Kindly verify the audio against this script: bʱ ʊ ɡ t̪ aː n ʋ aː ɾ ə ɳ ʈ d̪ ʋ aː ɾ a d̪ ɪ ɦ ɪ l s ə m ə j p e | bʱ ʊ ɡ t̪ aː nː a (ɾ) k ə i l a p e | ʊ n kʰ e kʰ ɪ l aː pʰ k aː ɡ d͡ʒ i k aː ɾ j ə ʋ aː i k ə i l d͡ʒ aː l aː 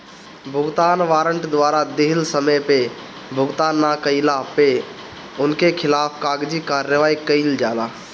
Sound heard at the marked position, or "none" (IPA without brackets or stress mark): none